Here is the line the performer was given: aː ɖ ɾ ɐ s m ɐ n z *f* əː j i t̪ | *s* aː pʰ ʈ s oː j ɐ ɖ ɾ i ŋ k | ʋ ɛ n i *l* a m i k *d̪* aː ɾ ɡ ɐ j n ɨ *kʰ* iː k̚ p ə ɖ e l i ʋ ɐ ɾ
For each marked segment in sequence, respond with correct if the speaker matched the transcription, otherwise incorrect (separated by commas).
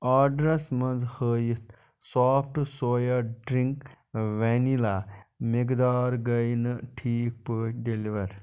incorrect, correct, correct, correct, incorrect